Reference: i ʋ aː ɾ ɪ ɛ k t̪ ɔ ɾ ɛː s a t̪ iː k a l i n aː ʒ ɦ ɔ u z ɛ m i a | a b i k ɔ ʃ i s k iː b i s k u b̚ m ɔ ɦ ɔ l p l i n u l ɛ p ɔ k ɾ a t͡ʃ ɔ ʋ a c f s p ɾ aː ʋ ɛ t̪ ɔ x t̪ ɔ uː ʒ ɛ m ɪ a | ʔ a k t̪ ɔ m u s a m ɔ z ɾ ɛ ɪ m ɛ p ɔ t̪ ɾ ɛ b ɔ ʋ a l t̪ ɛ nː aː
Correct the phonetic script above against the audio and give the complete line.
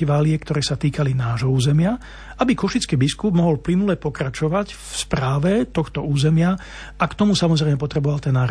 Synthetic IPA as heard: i ʋ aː l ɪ ɛ k t̪ ɔ ɾ ɛː s a t̪ iː k a l i n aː ʒ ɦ ɔ uː z ɛ m ɪ a | a b i k ɔ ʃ i t͡s k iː b i s k u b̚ m ɔ ɦ ɔ l p l i n u l ɛ p ɔ k ɾ a t͡ʃ ɔ ʋ a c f s p ɾ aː ʋ ɛ t̪ ɔ x t̪ ɔ uː z ɛ m ɪ a | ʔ a k t̪ ɔ m u s a m ɔ z ɾ ɛ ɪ m ɛ p ɔ t̪ ɾ ɛ b ɔ ʋ a l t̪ ɛ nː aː